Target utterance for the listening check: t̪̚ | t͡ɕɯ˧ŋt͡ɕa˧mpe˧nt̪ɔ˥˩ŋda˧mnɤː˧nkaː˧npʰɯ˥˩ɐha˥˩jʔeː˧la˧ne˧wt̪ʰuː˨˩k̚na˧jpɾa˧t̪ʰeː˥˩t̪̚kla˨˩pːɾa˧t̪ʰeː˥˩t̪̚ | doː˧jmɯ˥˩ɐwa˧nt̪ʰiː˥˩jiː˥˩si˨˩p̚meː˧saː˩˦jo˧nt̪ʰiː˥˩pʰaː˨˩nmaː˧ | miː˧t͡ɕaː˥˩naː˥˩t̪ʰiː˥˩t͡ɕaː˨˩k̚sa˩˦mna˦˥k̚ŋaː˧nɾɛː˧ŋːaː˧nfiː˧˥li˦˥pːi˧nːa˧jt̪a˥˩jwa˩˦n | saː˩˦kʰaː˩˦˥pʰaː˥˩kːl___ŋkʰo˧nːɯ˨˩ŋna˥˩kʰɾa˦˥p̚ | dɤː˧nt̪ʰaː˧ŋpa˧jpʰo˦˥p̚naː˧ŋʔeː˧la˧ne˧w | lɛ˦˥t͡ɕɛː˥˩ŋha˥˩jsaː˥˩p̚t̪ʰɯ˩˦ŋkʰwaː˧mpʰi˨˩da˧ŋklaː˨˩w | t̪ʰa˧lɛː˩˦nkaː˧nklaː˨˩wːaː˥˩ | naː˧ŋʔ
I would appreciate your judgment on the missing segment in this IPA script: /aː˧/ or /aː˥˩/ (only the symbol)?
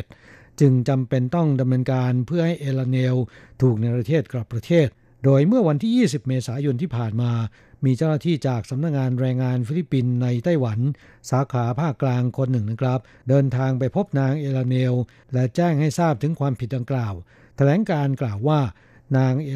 aː˧